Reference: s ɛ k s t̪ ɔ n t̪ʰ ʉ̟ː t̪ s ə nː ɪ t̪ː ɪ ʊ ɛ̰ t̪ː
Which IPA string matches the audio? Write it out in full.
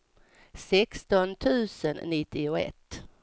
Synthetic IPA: s ɛ k s t̪ ɔ n t̪ʰ ʉ̟ː s ə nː ɪ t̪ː ɪ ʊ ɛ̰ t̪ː